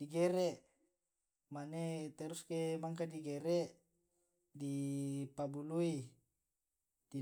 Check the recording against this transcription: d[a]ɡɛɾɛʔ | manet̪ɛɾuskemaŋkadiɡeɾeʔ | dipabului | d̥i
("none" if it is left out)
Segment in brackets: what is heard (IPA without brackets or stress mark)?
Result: i